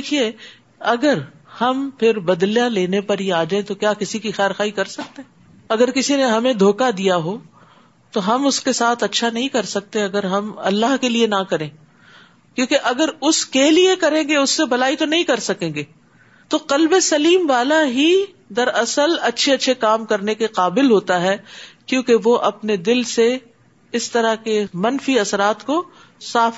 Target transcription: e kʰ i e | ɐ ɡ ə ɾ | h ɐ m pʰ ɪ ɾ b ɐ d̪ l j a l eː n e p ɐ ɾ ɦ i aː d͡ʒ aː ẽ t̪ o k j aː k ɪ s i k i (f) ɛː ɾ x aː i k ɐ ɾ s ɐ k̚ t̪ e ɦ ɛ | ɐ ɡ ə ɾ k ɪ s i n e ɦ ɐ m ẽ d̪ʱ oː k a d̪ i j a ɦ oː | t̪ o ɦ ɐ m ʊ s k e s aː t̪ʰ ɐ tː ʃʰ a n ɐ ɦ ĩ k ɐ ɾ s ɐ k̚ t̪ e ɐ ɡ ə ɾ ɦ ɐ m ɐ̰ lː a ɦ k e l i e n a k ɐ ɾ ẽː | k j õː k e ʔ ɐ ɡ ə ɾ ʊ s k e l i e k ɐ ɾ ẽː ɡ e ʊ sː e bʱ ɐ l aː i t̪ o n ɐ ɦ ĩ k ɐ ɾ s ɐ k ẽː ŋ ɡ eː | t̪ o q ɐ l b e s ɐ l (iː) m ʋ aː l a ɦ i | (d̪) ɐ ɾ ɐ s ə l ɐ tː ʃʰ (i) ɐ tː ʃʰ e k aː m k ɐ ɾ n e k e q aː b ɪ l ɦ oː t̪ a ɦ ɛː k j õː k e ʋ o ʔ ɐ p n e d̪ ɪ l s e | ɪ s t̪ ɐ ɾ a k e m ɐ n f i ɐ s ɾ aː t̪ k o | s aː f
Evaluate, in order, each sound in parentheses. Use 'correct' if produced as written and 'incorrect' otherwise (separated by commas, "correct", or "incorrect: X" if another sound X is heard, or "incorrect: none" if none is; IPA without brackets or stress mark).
incorrect: x, correct, correct, incorrect: e